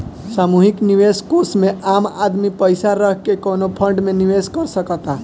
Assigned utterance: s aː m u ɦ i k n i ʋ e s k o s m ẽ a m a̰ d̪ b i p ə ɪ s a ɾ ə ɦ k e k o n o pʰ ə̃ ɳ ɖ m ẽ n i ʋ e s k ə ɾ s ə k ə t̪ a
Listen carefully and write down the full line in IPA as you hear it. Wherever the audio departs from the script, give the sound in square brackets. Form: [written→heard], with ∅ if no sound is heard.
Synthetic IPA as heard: s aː m u ɦ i k n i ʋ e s k o s m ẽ a m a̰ d̪ [b→m] i p ə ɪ s a ɾ ə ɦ k e k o n o pʰ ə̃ ɳ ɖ m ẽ n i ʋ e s k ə ɾ s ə k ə t̪ a